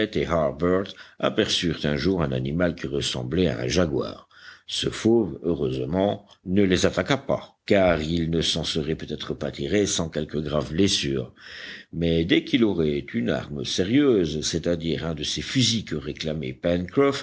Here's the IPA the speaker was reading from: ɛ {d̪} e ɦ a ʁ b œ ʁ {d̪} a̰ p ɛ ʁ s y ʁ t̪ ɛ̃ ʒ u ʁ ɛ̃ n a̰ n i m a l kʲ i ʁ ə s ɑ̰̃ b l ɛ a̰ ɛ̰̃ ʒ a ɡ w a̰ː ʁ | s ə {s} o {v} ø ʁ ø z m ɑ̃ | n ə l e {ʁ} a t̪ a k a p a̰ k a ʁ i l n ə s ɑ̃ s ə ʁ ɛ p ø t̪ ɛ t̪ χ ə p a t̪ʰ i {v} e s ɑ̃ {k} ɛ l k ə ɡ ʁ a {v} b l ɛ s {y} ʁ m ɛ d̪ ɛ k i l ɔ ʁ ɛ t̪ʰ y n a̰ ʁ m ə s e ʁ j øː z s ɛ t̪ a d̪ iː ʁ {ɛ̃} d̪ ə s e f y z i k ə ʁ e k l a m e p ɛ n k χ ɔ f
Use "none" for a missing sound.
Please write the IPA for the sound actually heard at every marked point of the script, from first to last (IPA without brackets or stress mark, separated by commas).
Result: t̪, t̪, f, v, z, ʁ, k, v, yː, ɛ̃